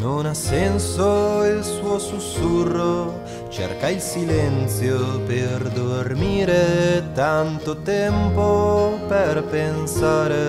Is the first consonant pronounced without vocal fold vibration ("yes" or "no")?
no